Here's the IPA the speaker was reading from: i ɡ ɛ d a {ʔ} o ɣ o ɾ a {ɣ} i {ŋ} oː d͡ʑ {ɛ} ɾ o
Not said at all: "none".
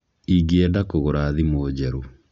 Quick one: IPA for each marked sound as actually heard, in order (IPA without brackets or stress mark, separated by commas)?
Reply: k, ð, m, ɛ